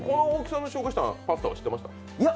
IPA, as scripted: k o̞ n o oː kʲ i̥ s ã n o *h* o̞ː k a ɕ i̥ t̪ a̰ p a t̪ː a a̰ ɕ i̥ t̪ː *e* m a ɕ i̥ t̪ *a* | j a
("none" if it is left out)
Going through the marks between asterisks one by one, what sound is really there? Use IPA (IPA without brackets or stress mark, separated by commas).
ɕ, e, a